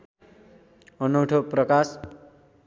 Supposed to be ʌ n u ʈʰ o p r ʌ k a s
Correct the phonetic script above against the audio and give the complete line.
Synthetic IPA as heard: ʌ n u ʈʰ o p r ʌ k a s